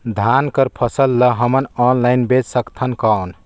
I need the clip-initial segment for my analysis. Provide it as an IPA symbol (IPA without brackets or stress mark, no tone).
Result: d̪ʱ